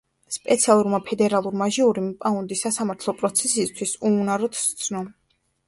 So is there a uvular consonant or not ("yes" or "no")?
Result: no